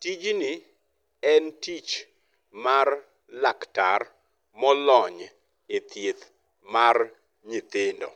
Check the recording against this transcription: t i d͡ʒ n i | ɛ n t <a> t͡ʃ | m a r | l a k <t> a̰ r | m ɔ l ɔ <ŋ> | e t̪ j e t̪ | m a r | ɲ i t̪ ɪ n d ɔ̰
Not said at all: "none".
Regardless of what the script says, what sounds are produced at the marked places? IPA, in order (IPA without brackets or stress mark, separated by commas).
i, t, ɲ